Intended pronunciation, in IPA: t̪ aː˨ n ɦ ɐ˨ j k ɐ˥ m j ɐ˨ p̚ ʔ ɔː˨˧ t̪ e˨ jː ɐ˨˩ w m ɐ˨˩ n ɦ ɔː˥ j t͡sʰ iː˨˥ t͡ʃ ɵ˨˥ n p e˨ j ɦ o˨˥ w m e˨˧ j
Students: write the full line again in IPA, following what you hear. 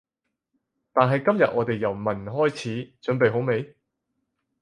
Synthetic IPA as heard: t̪ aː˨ n ɦ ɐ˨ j k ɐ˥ m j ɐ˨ t̚ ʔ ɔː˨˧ t̪ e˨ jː ɐ˨˩ w m ɐ˨˩ n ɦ ɔː˥ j t͡sʰ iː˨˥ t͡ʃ ɵ˨˥ n p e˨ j ɦ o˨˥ w m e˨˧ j